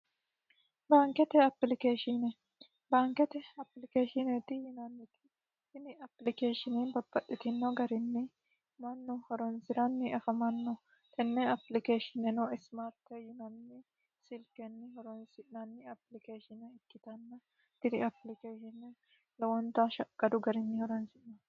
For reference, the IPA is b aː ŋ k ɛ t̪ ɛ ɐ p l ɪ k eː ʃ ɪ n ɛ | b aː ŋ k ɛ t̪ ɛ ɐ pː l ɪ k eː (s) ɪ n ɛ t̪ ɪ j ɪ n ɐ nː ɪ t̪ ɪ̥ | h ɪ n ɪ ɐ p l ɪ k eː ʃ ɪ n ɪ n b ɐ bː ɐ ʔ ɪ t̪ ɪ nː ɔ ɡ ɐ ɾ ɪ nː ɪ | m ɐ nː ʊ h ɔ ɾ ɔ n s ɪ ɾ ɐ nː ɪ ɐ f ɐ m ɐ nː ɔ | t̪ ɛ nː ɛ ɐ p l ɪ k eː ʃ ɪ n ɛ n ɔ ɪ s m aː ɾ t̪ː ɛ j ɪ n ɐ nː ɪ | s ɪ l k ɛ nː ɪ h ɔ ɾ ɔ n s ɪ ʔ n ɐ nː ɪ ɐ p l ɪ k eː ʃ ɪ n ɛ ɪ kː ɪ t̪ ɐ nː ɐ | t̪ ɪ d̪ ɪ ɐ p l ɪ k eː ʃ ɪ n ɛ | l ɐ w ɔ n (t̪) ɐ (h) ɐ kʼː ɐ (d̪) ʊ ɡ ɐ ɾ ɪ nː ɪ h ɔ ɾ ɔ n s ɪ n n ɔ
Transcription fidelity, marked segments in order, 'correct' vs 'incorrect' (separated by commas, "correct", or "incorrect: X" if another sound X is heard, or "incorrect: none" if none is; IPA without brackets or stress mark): incorrect: ʃ, correct, incorrect: ʃ, correct